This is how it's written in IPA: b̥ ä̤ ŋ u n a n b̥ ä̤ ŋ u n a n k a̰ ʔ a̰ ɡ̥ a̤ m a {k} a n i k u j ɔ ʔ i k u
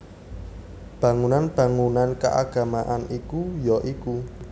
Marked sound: incorrect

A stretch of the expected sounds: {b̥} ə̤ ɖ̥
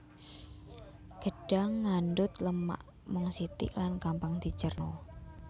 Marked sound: incorrect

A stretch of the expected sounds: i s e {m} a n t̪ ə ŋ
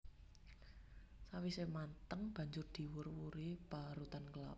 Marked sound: correct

